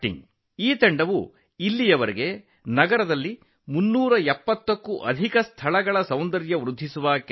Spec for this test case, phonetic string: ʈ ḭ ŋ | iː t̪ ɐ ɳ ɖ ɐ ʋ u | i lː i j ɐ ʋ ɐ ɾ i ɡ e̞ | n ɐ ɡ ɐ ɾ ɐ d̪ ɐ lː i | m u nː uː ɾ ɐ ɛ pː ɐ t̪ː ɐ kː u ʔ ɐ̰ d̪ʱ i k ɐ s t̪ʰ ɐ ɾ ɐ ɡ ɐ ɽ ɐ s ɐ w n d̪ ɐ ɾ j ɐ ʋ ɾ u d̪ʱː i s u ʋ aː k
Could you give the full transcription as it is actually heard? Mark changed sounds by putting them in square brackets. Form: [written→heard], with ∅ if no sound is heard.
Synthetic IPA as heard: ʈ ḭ ŋ | iː t̪ ɐ ɳ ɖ ɐ ʋ u | i lː i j ɐ ʋ ɐ ɾ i ɡ e̞ | n ɐ ɡ ɐ ɾ ɐ d̪ ɐ lː i | m u nː uː ɾ ɐ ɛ pː ɐ t̪ː ɐ kː u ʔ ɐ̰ d̪ʱ i k ɐ s t̪ʰ ɐ [ɾ→ɭ] ɐ ɡ ɐ [ɽ→ɭ] ɐ s ɐ w n d̪ ɐ ɾ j ɐ ʋ ɾ u d̪ʱː i s u ʋ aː k